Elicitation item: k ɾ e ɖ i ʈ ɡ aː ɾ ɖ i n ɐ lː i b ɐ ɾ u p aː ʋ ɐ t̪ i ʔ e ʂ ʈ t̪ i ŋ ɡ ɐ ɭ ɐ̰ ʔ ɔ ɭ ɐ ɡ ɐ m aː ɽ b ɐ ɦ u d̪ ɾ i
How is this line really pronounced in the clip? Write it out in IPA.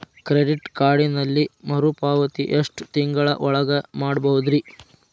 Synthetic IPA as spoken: k ɾ e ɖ i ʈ k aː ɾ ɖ i n ɐ lː i m ɐ ɾ u p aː ʋ ɐ t̪ i ʔ e ʂ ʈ t̪ i ŋ ɡ ɐ ɭ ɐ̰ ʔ ɔ ɭ ɐ ɡ ɐ m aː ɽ b ɐ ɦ u d̪ ɾ i